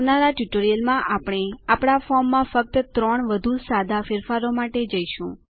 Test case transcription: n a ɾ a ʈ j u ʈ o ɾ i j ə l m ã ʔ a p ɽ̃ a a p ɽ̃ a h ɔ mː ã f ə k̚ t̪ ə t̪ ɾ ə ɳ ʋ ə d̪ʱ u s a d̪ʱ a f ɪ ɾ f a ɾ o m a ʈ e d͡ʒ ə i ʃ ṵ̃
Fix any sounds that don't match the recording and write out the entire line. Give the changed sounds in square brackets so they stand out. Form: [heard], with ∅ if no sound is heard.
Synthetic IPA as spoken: n a ɾ a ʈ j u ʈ o ɾ i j ə l m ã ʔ a p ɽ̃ [e] a p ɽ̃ a [f] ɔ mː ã f ə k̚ t̪ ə t̪ ɾ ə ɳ ʋ ə d̪ʱ u s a d̪ʱ a f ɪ ɾ f a ɾ o m a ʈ e d͡ʒ ə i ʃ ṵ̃